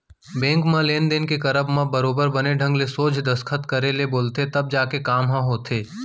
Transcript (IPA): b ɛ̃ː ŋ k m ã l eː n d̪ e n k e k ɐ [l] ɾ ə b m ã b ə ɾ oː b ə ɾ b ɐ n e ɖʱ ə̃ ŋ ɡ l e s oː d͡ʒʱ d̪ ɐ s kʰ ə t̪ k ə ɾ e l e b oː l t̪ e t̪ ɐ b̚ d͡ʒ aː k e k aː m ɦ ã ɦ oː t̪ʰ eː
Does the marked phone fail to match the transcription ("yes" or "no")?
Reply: yes